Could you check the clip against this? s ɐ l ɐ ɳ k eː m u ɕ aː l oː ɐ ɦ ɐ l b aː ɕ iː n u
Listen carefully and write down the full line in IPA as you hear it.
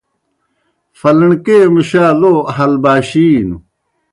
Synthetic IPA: f ɐ l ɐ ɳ k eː m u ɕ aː l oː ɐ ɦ ɐ l b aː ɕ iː n u